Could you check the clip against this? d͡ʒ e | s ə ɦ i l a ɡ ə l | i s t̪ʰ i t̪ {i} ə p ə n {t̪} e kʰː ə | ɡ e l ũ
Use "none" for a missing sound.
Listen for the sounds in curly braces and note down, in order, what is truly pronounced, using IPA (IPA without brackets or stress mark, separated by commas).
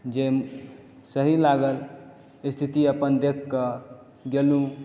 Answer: i, d̪